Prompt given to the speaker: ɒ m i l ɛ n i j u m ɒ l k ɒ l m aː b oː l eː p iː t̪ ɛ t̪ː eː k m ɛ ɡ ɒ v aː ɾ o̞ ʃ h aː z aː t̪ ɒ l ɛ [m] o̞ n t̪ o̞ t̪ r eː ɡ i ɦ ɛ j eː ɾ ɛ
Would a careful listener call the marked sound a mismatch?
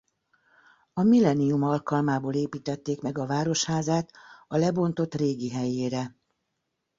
yes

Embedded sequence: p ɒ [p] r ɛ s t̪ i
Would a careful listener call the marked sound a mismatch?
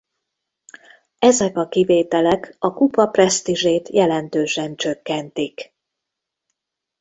no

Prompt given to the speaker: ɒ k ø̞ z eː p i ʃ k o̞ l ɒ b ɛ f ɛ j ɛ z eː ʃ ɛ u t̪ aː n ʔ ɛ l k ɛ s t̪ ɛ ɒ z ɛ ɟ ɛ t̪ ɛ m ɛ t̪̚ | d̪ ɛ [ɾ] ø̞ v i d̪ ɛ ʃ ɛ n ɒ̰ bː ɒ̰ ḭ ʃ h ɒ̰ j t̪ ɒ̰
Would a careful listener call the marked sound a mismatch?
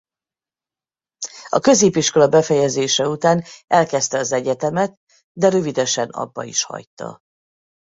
no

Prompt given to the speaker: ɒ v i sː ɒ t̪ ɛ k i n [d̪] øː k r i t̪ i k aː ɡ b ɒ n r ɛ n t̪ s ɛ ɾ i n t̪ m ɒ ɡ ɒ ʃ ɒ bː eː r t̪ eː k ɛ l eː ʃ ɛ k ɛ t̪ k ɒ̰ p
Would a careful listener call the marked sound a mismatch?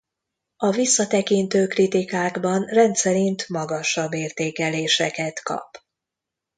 yes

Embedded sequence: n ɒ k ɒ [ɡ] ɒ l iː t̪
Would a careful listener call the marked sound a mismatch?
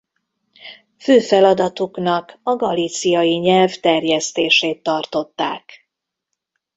no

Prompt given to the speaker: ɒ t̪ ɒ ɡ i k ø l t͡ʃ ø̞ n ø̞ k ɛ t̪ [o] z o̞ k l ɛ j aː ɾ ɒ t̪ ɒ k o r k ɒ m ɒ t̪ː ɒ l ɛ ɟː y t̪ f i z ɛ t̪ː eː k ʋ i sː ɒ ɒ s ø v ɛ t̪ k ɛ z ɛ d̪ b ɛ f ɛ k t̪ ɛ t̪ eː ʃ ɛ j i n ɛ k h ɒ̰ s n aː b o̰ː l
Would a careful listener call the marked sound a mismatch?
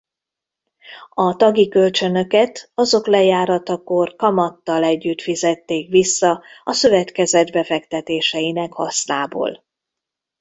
yes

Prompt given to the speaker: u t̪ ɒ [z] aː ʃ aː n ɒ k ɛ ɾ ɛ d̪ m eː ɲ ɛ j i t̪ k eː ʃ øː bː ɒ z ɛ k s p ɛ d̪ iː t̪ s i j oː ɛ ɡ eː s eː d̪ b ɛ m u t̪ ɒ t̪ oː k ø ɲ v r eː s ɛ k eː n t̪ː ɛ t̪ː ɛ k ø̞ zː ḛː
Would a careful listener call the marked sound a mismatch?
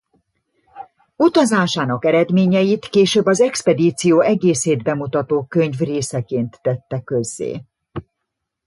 no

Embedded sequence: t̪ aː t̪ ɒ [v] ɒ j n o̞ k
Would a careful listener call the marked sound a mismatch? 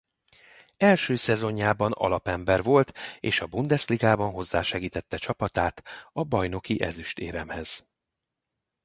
yes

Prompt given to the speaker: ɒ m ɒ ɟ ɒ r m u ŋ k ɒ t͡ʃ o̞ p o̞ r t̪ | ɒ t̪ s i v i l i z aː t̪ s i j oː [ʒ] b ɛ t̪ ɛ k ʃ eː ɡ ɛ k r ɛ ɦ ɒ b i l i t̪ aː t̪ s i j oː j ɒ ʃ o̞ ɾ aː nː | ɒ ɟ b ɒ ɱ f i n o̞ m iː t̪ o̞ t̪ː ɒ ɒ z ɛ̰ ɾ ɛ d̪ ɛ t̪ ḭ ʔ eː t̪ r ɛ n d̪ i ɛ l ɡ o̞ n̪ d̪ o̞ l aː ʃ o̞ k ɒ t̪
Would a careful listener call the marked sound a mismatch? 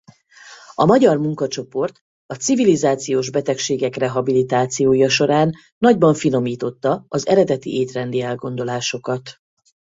no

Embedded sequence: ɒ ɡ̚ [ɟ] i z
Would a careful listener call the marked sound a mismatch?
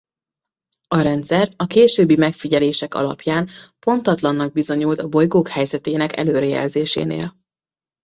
yes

